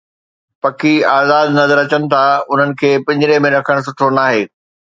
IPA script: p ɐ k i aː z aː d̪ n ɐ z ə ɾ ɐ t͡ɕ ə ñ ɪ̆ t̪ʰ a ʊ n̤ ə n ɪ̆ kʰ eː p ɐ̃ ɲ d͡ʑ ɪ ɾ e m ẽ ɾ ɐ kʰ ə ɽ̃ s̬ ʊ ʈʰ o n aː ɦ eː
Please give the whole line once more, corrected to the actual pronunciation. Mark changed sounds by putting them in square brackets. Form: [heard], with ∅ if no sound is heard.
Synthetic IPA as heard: p ɐ k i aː z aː d̪ n ɐ z ə ɾ ɐ t͡ɕ ə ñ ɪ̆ t̪ʰ a ʊ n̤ ə n ɪ̆ kʰ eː p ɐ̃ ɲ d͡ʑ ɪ ɾ e m ẽ ɾ ɐ kʰ ə ɽ̃ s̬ ʊ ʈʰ o n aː ɦ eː